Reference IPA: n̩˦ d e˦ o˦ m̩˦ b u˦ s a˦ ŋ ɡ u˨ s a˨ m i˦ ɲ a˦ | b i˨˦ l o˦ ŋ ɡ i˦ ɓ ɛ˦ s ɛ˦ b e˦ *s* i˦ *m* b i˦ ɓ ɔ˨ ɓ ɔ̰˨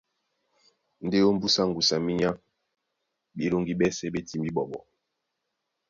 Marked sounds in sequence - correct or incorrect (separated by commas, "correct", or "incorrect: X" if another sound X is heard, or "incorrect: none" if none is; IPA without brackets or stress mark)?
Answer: incorrect: t, correct